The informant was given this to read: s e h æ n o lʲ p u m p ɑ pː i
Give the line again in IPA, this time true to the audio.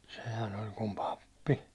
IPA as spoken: s e h æ n o lʲ k u m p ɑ pː i